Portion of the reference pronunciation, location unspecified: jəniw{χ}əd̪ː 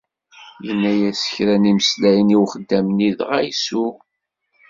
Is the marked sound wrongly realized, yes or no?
no